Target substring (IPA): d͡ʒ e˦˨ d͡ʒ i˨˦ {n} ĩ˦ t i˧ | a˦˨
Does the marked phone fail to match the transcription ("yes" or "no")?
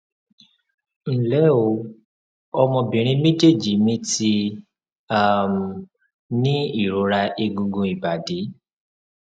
yes